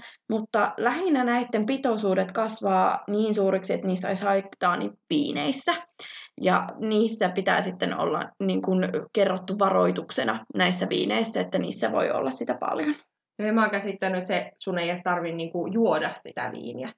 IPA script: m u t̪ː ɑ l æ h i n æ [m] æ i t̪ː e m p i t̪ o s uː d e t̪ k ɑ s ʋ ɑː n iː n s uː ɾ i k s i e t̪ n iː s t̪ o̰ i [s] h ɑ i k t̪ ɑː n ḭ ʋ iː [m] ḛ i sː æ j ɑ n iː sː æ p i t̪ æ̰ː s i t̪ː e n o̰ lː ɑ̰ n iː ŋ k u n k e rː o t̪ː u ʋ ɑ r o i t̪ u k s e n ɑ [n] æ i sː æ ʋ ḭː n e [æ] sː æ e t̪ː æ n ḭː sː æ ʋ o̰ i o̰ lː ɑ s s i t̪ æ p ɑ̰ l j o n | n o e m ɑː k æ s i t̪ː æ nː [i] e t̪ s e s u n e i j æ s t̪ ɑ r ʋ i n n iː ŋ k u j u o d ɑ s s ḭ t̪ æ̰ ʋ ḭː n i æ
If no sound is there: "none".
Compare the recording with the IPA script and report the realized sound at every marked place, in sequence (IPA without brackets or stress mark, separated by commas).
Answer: n, s, n, n, i, y